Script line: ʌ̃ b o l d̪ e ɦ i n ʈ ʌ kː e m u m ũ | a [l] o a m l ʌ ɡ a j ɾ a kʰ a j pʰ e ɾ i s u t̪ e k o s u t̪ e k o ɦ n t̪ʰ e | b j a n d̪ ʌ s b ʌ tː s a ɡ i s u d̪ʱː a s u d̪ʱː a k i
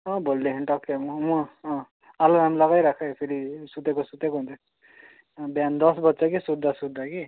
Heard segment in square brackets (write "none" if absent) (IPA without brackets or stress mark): l